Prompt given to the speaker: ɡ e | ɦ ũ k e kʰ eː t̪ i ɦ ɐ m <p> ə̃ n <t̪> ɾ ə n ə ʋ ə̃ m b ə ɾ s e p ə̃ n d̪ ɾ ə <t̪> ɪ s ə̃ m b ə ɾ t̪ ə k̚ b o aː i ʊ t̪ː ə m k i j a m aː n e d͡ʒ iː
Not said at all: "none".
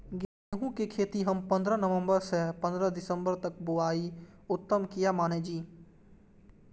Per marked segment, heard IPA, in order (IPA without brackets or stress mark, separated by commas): p, d̪, d̪